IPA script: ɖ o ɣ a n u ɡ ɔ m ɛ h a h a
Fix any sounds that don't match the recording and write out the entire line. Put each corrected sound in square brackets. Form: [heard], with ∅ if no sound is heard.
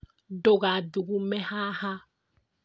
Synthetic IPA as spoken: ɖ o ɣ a [d] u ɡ [u] m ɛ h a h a